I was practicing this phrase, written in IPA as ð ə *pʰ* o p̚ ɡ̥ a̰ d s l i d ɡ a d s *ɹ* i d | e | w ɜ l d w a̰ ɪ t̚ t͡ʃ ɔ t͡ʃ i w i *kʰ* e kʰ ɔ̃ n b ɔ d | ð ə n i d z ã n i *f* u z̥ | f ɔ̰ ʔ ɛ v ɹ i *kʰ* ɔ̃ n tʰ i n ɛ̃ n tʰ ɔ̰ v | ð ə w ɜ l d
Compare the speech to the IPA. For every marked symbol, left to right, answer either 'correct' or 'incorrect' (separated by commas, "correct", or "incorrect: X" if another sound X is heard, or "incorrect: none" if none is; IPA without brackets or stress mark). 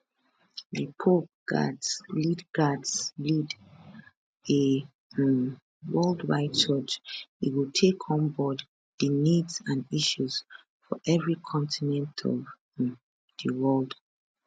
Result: correct, incorrect: l, incorrect: tʰ, incorrect: ʃ, correct